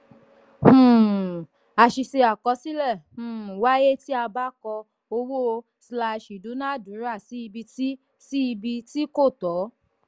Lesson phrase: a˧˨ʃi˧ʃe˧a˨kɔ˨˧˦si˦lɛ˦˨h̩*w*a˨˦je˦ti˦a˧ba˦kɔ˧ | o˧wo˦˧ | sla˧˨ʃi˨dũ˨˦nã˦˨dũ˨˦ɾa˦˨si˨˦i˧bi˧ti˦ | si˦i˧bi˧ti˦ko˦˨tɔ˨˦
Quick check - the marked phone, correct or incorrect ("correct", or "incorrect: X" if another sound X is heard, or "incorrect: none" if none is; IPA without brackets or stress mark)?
correct